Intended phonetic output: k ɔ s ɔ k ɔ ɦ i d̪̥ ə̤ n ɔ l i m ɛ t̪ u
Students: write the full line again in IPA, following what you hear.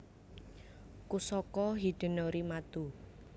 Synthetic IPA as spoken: k u s ɔ k ɔ ɦ i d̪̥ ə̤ n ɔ ɾ i m a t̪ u